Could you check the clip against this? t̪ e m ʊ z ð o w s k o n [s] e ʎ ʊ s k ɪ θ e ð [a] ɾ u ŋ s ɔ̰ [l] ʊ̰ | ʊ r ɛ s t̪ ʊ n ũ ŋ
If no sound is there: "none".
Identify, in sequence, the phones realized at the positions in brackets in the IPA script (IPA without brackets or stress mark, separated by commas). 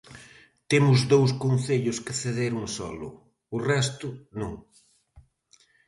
θ, e, l